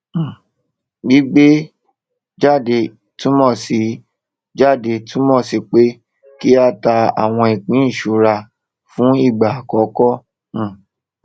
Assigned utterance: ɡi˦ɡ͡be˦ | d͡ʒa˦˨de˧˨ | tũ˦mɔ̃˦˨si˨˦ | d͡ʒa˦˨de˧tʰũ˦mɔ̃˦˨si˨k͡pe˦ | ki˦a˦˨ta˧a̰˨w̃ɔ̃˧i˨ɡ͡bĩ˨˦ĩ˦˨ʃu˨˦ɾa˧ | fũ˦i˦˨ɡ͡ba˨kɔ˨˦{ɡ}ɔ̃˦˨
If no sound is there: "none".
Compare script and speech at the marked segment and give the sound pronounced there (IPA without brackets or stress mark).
k